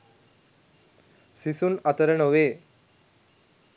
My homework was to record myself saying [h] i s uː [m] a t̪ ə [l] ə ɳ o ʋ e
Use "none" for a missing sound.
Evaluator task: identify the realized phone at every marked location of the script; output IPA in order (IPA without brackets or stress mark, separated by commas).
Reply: s, n, ɾ